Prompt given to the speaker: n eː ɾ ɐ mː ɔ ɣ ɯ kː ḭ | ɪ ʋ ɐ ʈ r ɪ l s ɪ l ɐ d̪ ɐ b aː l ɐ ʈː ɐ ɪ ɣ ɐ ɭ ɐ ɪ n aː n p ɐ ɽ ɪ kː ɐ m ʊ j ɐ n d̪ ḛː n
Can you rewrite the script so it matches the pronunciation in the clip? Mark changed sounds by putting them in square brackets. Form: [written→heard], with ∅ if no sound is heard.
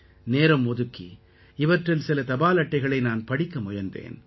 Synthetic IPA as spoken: n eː ɾ ɐ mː ɔ [ɣ→ð] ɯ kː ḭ | ɪ ʋ ɐ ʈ r ɪ l s ɪ l ɐ [d̪→t̪] ɐ b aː l ɐ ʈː ɐ ɪ ɣ ɐ ɭ ɐ ɪ n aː n p ɐ ɽ ɪ kː ɐ m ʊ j ɐ n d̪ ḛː n